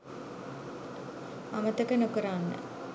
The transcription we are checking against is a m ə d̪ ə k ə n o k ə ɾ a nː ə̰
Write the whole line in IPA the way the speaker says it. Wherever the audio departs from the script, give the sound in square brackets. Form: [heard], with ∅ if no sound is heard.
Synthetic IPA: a m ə [t̪] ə k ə n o k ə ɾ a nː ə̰